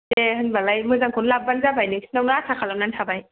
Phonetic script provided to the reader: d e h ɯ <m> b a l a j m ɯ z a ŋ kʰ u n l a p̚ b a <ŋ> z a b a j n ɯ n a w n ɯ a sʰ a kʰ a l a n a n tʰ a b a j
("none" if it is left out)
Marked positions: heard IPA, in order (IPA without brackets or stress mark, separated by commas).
n, n